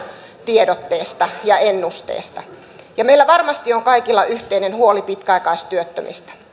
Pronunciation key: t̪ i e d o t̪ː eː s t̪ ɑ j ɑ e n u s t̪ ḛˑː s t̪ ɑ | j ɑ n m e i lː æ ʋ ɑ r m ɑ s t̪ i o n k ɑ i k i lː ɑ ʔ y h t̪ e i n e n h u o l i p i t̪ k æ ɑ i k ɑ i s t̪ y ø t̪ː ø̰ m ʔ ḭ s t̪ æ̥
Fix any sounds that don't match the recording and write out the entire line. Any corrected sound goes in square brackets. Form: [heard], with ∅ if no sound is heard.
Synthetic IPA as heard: t̪ i e d o t̪ː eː s t̪ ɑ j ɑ e [nː] u s t̪ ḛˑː s t̪ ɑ | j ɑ [∅] m e i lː æ ʋ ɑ r m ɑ s t̪ i o [ŋ] k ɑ i k i lː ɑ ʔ y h t̪ e i n e n h u o l i p i t̪ k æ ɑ i k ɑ i s t̪ y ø t̪ː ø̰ m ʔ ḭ s t̪ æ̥